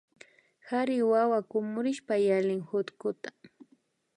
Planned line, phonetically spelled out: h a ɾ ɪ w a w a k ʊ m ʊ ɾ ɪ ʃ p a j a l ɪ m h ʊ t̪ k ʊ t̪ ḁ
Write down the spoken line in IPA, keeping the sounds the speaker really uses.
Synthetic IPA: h a ɾ ɪ w a w a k ʊ m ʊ ɾ ɪ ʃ p a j a l ɪ ŋ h ʊ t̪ k ʊ t̪ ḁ

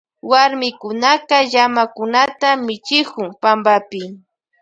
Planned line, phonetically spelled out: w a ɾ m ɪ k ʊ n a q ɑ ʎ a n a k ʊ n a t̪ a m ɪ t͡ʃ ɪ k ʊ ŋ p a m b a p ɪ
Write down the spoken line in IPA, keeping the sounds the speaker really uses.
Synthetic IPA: w a ɾ m ɪ k ʊ n a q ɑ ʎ a m a k ʊ n a t̪ a m ɪ t͡ʃ ɪ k ʊ ŋ p a m b a p ɪ

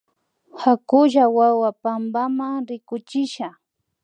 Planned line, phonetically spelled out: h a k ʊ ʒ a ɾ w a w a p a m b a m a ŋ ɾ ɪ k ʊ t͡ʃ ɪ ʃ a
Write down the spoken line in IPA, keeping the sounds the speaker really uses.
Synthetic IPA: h a k ʊ ʒ a w a w a p a m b a m a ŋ ɾ ɪ k ʊ t͡ʃ ɪ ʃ a

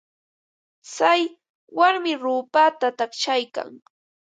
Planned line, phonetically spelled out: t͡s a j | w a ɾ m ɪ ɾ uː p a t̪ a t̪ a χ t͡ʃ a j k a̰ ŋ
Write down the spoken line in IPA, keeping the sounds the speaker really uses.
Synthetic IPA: t͡s a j | w a ɾ m ɪ ɾ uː p a t̪ a t̪ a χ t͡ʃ a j k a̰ ŋ

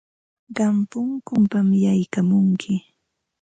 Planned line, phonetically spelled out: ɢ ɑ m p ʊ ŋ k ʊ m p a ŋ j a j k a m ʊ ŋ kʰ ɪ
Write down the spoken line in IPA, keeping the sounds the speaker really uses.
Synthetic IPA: ɢ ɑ m p ʊ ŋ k ʊ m p a m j a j k a m ʊ ŋ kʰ ɪ

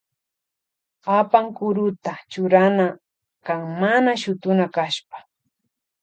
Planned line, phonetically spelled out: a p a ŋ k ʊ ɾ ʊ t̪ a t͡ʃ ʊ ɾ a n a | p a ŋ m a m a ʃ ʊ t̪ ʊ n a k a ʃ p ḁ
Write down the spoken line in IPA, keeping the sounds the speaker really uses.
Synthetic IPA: a p a ŋ k ʊ ɾ ʊ t̪ a t͡ʃ ʊ ɾ a n a | k a ŋ m a n a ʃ ʊ t̪ ʊ n a k a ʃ p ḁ

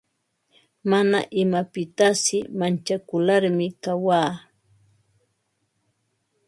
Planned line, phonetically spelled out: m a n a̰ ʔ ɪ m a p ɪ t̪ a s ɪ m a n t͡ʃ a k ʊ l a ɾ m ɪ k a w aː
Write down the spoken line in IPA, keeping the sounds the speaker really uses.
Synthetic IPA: m a n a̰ ʔ ɪ m a p ɪ t̪ a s ɪ m a n t͡ʃ a k ʊ l a ɾ m ɪ k a w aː

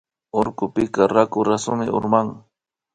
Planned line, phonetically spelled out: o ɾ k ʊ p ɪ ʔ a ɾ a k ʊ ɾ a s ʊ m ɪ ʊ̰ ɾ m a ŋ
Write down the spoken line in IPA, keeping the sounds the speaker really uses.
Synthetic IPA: o ɾ k ʊ p ɪ k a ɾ a k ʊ ɾ a s ʊ m ɪ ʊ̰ ɾ m a ŋ

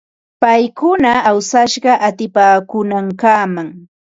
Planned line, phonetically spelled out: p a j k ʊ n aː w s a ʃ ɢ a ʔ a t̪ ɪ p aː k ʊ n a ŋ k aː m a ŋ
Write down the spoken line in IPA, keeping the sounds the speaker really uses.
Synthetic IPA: p a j k ʊ n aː w s a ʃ ɢ ɑ ʔ a t̪ ɪ p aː k ʊ n a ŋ k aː m a ŋ

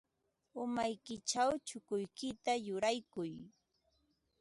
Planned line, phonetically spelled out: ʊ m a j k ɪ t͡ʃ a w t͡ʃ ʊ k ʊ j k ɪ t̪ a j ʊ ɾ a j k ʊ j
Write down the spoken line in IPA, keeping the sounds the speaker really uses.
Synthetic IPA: ʊ m a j k ɪ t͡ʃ a w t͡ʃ ʊ k ʊ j k ɪ t̪ a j ʊ ɾ a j k ʊ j

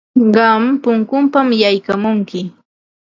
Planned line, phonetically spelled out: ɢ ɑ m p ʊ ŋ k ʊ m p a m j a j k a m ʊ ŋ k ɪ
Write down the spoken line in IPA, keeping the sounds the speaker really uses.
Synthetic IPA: ɢ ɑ m p ʊ ŋ k ʊ m p a m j a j k a m ʊ ŋ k ɪ

